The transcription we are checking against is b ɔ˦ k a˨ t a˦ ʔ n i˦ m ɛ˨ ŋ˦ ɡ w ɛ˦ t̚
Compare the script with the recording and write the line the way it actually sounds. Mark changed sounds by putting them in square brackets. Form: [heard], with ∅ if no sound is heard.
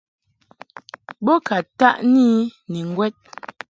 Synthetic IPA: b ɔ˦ k a˨ t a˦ ʔ n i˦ [n] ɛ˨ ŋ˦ ɡ w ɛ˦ t̚